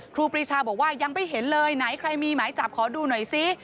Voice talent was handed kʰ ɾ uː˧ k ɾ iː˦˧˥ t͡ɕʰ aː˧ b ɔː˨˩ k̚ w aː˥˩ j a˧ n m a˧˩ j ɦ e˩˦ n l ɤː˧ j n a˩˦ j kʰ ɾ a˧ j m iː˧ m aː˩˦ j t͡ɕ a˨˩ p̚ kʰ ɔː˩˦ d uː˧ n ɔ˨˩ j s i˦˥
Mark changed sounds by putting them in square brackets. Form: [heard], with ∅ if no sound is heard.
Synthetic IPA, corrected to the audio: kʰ ɾ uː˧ [p] ɾ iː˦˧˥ t͡ɕʰ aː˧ b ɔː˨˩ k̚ w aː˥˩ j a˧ [ŋ] m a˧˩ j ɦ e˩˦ n l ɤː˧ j n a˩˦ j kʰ ɾ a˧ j m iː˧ m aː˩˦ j t͡ɕ a˨˩ p̚ kʰ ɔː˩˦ d uː˧ n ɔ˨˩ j s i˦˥